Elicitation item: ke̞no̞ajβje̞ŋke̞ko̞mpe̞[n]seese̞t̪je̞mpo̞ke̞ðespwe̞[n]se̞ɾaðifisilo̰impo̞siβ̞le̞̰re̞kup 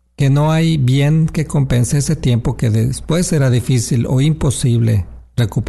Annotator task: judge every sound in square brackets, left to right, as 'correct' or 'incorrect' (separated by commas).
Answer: correct, incorrect